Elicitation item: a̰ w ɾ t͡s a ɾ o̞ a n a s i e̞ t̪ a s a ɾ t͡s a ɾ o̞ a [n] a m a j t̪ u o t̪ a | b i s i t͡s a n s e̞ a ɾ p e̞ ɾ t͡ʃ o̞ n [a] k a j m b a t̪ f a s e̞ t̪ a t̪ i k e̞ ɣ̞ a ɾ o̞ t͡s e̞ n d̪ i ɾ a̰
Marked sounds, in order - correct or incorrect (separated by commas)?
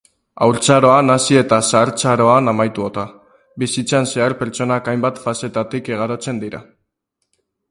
correct, correct